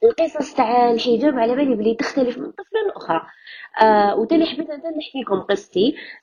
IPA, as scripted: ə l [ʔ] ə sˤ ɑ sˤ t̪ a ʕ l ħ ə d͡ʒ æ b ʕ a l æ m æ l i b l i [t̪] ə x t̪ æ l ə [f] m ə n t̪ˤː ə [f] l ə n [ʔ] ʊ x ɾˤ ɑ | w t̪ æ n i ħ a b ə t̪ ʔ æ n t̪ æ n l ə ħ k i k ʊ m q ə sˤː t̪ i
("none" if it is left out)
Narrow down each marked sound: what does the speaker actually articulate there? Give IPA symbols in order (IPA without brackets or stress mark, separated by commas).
q, t̪, f, f, ʔ